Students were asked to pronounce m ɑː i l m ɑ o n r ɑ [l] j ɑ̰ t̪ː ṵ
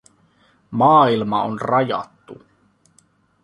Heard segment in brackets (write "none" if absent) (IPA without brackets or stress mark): none